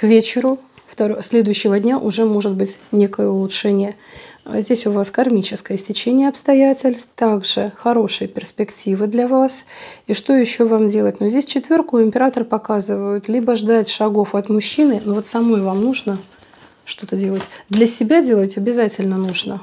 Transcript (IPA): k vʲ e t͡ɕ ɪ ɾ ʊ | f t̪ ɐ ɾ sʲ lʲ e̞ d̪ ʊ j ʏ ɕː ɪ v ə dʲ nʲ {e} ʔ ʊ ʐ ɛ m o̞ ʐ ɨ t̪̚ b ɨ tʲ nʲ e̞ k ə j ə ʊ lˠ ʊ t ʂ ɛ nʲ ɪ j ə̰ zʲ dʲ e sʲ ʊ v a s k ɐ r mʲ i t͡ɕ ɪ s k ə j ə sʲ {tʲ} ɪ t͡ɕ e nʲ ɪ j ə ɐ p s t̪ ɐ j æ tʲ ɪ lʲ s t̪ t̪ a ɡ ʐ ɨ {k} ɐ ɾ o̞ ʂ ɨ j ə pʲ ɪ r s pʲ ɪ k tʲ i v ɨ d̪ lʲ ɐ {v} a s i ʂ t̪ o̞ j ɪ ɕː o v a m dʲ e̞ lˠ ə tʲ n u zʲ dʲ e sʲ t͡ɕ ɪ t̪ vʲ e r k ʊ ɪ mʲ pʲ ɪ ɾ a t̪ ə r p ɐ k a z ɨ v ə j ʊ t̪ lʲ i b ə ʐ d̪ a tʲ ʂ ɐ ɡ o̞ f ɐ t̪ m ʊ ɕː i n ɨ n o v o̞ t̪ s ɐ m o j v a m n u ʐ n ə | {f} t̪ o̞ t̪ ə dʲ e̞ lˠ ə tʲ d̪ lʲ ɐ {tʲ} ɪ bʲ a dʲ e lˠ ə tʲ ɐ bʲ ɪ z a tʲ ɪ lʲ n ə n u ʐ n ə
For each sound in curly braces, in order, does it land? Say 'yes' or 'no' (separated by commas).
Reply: no, yes, no, yes, no, no